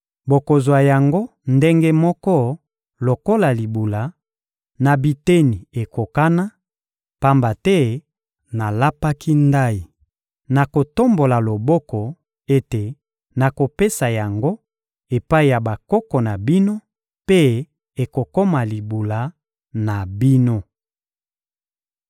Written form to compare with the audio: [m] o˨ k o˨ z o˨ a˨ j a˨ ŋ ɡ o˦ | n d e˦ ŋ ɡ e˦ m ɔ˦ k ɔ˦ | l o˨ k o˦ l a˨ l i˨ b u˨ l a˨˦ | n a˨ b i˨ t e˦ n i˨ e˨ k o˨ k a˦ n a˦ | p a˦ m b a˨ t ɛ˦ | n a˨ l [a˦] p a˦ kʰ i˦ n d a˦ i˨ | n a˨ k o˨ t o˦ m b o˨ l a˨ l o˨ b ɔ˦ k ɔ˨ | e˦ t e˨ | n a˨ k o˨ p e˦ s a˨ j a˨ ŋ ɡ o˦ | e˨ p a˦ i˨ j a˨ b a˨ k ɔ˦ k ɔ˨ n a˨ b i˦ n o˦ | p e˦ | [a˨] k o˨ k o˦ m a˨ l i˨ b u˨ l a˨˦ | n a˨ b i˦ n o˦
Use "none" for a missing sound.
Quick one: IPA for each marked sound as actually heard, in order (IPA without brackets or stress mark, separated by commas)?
b, a˦, e˨